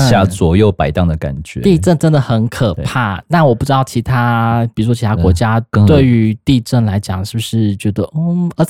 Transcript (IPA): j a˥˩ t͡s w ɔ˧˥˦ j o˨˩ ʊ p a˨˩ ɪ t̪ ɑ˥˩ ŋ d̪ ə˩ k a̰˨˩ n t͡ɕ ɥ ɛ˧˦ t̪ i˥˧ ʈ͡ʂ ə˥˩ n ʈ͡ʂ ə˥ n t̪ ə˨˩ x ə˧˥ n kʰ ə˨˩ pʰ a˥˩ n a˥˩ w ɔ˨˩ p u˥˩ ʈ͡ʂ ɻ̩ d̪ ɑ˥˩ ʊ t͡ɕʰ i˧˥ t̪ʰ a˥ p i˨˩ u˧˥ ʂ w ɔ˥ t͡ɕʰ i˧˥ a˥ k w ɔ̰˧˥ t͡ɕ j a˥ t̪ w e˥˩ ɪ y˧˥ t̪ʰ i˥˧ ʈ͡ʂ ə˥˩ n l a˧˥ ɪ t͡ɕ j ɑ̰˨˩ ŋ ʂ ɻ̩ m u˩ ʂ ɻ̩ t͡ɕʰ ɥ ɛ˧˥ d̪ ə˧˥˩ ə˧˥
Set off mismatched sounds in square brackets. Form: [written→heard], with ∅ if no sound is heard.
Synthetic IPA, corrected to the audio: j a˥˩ t͡s w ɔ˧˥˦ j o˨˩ ʊ p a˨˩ ɪ t̪ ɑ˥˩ ŋ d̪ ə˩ k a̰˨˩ n t͡ɕ ɥ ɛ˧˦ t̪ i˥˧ ʈ͡ʂ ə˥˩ n ʈ͡ʂ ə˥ n [t̪→d̪] ə˨˩ x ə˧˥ n kʰ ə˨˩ pʰ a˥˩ n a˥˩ w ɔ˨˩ p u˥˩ ʈ͡ʂ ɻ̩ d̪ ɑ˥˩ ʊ t͡ɕʰ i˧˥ t̪ʰ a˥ p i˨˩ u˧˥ ʂ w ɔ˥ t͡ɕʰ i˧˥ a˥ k w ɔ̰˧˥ t͡ɕ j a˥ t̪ w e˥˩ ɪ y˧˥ [t̪ʰ→t̪] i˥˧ ʈ͡ʂ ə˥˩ n l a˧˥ ɪ t͡ɕ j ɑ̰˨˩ ŋ ʂ ɻ̩ [m→b] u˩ ʂ ɻ̩ [t͡ɕʰ→t͡ɕ] ɥ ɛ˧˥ d̪ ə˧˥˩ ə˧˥